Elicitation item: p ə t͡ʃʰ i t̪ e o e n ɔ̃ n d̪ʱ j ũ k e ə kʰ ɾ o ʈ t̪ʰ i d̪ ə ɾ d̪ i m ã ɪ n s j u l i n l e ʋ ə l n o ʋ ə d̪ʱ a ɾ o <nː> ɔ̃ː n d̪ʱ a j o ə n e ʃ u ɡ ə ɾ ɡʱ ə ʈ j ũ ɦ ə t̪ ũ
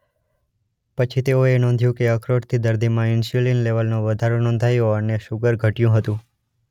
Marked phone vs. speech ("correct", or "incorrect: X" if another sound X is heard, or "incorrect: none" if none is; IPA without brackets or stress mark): incorrect: n